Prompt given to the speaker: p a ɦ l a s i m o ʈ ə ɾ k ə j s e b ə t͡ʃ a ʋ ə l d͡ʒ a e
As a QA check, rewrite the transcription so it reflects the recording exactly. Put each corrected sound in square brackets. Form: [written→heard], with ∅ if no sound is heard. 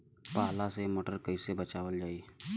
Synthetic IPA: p a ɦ l a s [i→e] m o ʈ ə ɾ k ə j s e b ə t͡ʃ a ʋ ə l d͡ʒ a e